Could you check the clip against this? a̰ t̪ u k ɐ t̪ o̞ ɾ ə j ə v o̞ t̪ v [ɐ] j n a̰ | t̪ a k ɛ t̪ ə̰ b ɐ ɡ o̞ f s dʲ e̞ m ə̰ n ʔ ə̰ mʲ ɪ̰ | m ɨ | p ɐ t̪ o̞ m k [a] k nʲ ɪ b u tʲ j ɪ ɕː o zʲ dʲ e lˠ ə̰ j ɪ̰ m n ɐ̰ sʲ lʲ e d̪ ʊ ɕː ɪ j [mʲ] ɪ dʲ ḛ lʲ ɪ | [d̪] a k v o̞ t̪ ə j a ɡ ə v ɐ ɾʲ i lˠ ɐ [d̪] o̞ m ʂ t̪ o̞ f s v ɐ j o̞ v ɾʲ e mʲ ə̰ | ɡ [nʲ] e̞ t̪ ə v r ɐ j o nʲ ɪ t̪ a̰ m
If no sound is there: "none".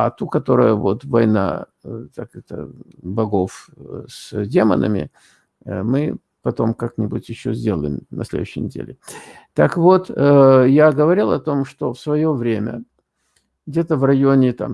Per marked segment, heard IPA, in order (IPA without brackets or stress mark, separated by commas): ɐ, a, nʲ, t̪, t̪, dʲ